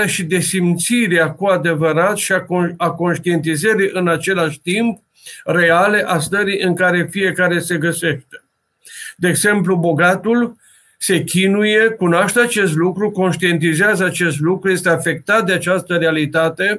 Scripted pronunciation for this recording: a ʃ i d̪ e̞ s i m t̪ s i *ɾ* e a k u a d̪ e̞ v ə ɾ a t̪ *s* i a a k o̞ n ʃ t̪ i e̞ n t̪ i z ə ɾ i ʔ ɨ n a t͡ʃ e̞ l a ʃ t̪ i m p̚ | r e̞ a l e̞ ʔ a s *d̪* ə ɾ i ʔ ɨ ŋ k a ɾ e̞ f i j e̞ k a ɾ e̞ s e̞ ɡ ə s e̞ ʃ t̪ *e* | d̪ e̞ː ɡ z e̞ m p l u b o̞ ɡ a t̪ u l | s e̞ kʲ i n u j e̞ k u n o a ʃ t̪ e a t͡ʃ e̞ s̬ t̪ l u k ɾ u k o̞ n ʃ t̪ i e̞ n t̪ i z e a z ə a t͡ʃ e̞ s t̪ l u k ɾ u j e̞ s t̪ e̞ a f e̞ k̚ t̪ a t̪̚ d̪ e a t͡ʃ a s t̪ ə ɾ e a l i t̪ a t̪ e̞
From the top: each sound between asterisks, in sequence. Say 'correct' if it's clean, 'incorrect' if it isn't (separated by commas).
correct, incorrect, incorrect, correct